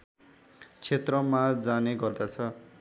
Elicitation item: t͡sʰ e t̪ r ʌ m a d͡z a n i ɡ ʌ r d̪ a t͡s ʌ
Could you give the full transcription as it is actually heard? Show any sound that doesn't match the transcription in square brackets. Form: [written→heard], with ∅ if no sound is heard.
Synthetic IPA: t͡sʰ e t̪ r ʌ m a d͡z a n [i→e] ɡ ʌ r d̪ a [t͡s→t͡sʰ] ʌ